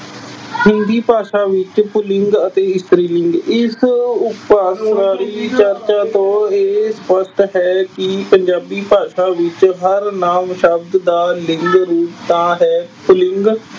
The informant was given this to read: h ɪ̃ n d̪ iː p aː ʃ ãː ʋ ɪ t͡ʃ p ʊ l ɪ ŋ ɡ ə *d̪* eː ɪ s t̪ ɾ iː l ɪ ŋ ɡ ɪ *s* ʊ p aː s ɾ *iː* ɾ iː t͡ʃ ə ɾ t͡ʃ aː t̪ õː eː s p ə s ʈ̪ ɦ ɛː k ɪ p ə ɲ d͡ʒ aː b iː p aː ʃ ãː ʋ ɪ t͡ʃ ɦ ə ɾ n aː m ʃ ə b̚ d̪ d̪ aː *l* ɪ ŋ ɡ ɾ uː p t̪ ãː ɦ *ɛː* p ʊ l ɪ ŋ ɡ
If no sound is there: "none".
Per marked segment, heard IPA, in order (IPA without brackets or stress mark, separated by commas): t̪, s, aː, l, ɛː